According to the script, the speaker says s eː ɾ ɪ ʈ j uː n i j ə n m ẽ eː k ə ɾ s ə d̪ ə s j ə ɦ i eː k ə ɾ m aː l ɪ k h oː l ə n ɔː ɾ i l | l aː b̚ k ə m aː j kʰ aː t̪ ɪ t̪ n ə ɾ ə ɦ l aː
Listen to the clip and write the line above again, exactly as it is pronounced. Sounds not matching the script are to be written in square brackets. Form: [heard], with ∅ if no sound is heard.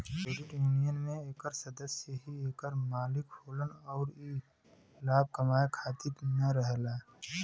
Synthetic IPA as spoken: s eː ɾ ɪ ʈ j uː n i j ə n m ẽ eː k ə ɾ s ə d̪ ə s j ə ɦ i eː k ə ɾ m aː l ɪ k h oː l ə n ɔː ɾ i [∅] | l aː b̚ k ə m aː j kʰ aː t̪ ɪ t̪ n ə ɾ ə ɦ l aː